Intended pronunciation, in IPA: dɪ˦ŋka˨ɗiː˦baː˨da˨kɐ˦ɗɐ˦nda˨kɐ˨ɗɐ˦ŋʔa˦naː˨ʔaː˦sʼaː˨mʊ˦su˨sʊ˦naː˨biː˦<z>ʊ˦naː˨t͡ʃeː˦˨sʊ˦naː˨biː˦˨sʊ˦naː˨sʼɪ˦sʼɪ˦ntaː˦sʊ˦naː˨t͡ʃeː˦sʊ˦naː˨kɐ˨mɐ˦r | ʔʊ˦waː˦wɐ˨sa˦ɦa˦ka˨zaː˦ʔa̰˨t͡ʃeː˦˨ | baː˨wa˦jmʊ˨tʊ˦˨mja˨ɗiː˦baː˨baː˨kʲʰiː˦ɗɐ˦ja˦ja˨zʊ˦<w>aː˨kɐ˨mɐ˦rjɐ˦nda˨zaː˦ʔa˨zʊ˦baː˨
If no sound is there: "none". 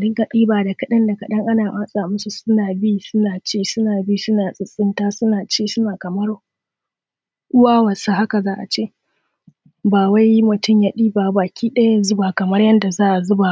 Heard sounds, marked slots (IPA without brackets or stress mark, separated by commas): s, b